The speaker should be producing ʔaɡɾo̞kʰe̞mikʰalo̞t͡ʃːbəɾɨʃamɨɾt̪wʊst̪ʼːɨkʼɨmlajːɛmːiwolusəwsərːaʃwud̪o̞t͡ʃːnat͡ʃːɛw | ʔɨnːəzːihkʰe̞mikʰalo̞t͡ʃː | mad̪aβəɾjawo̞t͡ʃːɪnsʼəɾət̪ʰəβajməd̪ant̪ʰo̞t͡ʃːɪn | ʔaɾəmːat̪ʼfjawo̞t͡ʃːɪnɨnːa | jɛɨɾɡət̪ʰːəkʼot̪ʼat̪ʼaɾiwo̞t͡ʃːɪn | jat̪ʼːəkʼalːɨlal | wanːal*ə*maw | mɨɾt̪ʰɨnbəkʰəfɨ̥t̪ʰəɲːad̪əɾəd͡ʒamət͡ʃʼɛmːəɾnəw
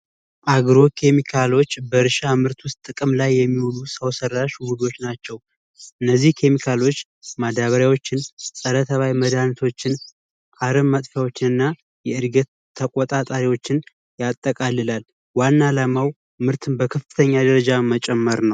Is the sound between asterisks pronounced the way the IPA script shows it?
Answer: no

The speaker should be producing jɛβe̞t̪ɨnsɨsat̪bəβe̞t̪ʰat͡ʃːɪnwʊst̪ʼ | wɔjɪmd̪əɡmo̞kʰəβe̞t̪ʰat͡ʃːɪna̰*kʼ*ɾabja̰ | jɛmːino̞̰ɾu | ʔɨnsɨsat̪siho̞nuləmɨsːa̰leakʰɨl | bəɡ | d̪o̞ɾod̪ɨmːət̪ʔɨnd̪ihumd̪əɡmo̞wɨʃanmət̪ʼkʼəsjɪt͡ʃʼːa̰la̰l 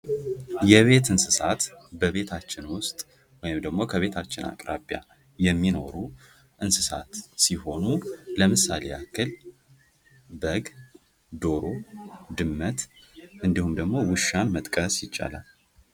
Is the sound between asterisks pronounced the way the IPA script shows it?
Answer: yes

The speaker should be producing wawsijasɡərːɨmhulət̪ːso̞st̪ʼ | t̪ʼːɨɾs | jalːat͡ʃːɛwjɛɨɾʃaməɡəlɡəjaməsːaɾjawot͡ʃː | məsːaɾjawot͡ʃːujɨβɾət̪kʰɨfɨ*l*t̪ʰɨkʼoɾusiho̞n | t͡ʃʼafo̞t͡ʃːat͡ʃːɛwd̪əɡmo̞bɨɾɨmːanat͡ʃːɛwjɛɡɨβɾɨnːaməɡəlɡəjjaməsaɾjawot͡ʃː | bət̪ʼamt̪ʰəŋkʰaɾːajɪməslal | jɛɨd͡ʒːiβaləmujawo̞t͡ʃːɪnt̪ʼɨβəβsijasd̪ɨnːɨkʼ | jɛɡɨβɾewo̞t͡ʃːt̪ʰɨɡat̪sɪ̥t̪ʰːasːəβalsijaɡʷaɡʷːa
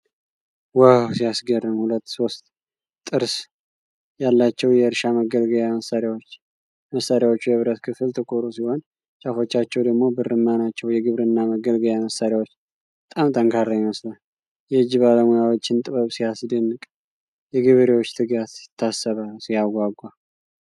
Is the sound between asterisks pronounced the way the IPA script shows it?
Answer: yes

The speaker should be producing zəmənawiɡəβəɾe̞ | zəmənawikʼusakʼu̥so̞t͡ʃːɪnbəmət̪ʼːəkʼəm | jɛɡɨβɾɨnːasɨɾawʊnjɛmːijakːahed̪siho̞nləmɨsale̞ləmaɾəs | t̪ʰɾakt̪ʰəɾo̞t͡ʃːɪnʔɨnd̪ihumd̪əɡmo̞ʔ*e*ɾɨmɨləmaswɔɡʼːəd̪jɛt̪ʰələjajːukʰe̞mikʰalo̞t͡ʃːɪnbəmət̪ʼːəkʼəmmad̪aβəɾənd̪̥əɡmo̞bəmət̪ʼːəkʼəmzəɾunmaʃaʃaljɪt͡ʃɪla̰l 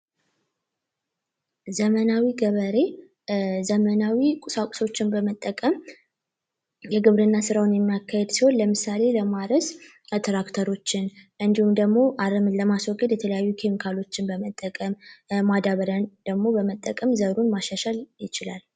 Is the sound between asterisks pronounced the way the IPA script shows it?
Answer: no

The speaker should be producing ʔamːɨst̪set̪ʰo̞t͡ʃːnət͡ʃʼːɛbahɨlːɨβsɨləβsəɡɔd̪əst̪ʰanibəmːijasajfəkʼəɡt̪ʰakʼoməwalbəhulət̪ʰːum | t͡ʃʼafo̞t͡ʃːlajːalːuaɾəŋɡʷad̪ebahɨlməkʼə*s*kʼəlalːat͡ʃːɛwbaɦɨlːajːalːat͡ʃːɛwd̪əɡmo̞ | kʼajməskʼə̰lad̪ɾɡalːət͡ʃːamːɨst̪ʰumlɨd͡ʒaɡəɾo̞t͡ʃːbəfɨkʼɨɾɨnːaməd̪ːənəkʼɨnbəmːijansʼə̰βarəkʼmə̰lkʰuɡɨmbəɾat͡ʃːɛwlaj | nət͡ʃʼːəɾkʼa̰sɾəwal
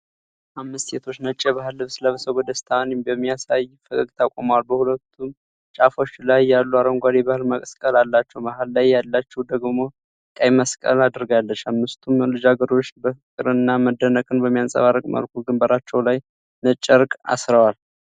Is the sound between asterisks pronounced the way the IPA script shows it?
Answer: yes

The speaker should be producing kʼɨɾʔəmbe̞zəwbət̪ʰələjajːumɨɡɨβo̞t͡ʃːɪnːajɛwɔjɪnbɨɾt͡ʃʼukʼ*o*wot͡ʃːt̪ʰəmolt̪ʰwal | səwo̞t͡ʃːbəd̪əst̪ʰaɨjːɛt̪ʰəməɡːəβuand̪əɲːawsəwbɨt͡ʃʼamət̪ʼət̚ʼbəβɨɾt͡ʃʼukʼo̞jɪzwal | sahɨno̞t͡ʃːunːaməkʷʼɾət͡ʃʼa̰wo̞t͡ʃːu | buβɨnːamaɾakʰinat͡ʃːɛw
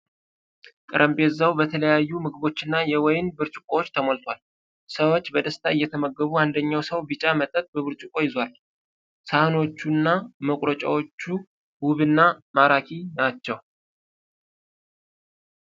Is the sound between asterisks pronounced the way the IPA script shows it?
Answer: yes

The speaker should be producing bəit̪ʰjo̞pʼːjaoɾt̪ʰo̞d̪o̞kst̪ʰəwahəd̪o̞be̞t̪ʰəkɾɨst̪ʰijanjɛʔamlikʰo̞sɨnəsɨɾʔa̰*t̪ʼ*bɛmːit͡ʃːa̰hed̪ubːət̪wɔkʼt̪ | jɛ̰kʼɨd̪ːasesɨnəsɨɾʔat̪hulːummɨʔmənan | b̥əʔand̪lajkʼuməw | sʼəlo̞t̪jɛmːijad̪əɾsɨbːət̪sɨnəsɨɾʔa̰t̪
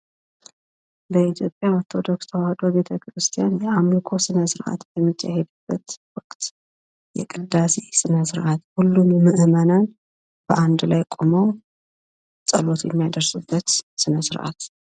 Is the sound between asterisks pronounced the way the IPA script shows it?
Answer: no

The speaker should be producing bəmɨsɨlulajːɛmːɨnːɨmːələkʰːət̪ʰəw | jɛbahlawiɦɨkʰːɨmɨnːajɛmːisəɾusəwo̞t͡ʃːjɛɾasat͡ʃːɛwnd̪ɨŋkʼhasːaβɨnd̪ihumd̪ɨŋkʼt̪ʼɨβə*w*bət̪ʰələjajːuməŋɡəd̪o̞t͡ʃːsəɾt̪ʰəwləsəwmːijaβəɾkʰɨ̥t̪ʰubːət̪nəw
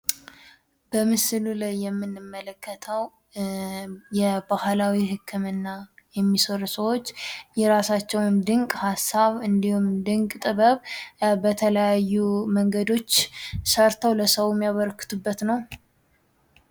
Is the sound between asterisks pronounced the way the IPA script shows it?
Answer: no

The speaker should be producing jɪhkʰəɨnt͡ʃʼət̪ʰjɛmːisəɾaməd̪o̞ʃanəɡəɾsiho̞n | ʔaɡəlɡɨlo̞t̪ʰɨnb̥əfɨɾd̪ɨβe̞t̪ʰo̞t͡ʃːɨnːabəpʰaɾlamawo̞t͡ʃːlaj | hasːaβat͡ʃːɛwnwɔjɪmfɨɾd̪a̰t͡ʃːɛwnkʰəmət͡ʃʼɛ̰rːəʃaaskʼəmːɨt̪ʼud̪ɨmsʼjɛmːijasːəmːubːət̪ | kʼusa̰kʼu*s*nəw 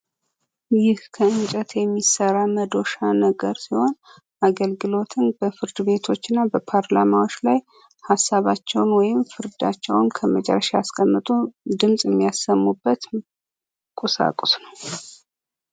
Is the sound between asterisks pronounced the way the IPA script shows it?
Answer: yes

